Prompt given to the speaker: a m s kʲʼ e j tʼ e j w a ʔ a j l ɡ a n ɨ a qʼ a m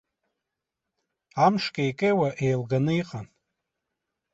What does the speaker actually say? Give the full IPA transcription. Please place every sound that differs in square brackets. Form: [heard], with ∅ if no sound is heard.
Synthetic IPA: a m [ʂ] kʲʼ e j [kʼ] e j w a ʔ [e] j l ɡ a n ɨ [i] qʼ a [n]